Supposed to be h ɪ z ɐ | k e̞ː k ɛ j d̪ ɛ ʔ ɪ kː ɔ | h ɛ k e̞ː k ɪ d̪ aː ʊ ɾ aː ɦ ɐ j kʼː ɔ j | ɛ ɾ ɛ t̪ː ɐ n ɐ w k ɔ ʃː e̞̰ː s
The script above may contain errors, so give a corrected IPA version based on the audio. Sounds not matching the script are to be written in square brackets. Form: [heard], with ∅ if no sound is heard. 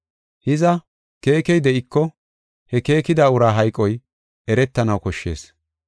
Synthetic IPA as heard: h ɪ z ɐ | k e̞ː k ɛ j d̪ ɛ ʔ ɪ kː ɔ | h ɛ k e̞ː k ɪ d̪ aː ʊ ɾ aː ɦ ɐ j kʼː ɔ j | ɛ ɾ ɛ t̪ː ɐ n ɐ w k ɔ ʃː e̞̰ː s